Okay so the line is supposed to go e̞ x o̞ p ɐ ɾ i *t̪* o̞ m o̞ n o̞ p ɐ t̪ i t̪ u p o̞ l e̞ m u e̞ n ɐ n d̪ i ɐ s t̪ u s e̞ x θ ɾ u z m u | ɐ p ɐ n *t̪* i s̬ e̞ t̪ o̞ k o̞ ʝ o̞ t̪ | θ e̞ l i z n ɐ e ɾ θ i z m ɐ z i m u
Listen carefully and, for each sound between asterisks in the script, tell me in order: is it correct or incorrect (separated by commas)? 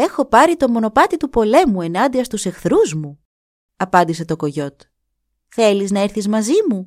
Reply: correct, incorrect